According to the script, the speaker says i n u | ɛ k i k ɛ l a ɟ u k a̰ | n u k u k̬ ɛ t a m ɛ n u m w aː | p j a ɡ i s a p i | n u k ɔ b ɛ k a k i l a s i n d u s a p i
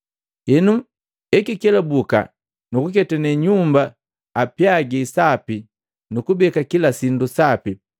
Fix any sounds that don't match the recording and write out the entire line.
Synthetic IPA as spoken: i n u | ɛ k i k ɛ l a b u k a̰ | n u k u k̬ ɛ t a n ɛ ɲ u m b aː | p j a ɡ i s a p i | n u k u b ɛ k a k i l a s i n d u s a p i